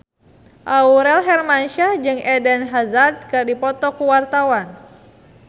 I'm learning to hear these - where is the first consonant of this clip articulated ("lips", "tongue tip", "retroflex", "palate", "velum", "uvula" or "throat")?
throat